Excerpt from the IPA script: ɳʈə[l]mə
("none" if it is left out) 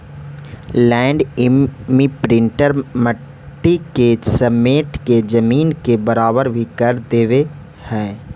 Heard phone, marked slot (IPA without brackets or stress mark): ɾ